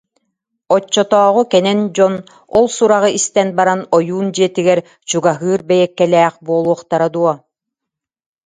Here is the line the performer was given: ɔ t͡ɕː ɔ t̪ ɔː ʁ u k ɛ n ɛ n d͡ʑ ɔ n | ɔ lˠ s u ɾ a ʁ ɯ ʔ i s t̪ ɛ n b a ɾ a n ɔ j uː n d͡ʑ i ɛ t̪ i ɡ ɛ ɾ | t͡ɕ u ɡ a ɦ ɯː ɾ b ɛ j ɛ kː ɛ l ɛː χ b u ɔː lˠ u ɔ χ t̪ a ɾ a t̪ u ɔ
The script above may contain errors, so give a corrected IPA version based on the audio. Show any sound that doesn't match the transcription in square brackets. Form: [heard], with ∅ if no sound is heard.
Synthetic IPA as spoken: ɔ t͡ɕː ɔ t̪ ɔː ʁ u k ɛ n ɛ n d͡ʑ ɔ n | ɔ lˠ s u ɾ a ʁ ɯ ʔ i s t̪ ɛ n b a ɾ a n ɔ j uː n d͡ʑ i ɛ t̪ i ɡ ɛ ɾ | t͡ɕ u ɡ a ɦ ɯː ɾ b ɛ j ɛ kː ɛ l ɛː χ b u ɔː lˠ u ɔ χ t̪ a ɾ a [d̪] u ɔ